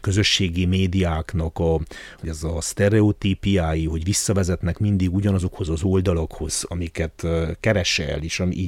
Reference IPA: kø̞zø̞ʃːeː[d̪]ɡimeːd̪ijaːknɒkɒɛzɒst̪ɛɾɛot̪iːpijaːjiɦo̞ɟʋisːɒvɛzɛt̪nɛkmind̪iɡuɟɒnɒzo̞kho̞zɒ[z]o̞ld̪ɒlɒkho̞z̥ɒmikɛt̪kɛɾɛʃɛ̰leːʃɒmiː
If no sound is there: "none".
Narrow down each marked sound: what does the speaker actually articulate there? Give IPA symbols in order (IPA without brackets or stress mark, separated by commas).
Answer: none, z